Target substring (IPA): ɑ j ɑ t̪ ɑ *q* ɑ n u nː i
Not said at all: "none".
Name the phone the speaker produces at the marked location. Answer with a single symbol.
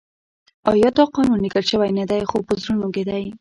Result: q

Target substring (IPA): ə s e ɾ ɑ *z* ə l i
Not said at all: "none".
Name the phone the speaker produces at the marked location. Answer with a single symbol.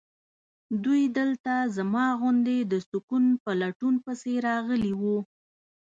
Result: ɣ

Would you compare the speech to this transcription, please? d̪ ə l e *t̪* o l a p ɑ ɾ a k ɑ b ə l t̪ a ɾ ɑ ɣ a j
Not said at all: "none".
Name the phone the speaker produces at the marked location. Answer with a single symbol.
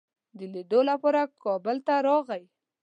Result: d̪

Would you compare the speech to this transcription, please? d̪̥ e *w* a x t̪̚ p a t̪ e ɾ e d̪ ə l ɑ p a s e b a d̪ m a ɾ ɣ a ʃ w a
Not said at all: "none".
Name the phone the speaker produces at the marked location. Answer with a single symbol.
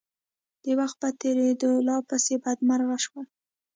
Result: w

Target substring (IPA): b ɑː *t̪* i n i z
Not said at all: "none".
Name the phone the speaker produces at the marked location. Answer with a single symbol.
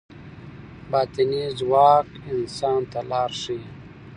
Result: t̪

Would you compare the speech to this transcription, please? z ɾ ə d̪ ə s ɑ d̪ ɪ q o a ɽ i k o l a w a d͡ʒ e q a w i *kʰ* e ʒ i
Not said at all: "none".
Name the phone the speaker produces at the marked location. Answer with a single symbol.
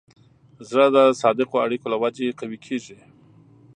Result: kʰ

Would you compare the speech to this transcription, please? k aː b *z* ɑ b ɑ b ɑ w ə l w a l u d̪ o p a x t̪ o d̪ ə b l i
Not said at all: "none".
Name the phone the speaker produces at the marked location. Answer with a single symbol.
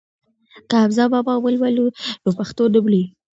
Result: z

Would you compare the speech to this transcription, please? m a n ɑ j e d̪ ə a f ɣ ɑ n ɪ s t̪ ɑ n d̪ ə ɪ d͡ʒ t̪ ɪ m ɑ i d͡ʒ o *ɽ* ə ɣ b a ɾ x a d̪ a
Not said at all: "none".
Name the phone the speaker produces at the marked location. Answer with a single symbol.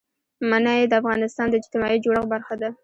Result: ɽ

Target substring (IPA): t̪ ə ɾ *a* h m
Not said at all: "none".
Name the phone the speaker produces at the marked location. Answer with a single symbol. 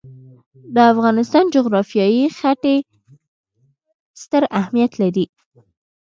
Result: a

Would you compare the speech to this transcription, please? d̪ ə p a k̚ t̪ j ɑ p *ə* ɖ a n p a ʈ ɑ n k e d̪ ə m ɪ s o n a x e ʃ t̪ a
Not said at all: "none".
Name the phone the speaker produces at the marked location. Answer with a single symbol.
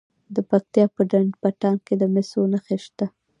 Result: ə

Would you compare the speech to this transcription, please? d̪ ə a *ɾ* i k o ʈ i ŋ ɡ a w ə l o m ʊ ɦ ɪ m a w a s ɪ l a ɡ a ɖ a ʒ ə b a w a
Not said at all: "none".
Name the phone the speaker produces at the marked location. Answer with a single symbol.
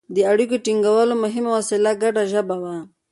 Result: ɽ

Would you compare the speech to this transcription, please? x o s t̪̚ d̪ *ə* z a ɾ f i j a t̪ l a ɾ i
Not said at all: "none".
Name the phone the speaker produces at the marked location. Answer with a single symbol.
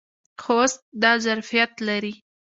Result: ɑ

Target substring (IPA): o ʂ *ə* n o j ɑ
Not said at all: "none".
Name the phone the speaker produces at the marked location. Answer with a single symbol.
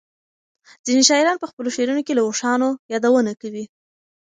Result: ɑ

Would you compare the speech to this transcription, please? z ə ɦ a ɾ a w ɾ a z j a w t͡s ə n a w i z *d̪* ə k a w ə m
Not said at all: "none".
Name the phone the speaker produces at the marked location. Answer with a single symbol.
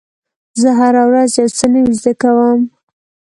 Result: d̪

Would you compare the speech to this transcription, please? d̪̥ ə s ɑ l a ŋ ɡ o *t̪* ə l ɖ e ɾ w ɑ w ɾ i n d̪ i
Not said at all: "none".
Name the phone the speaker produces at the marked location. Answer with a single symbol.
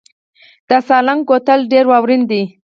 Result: t̪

